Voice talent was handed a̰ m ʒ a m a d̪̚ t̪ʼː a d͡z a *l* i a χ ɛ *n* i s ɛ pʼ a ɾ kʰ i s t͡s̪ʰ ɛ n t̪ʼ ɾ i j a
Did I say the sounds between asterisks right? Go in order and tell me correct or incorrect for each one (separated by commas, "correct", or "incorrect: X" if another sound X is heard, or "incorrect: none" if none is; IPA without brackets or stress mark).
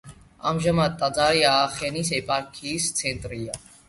incorrect: ɾ, correct